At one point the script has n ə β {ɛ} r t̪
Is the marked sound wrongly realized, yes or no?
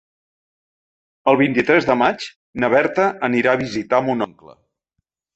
no